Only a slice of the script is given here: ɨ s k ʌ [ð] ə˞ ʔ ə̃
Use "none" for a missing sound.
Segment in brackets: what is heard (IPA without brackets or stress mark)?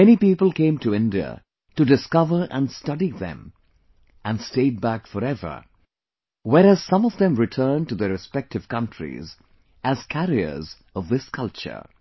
v